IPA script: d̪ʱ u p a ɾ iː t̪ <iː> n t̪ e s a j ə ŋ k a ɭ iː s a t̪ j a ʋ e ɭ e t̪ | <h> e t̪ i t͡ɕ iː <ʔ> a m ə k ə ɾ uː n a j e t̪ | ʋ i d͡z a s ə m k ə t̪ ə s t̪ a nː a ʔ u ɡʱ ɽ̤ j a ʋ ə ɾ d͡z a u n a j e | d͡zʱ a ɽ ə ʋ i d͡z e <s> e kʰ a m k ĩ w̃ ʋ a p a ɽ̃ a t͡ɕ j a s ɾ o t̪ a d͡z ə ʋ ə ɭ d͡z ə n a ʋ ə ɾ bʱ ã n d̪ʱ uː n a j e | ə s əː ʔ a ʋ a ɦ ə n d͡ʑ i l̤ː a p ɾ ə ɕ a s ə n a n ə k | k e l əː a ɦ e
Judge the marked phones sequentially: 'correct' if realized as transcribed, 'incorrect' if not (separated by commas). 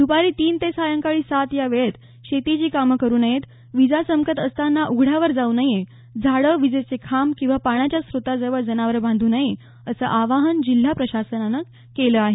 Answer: correct, incorrect, incorrect, incorrect